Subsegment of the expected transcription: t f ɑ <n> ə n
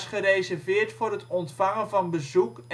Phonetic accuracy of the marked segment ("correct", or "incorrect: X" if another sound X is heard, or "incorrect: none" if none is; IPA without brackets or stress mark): incorrect: ŋ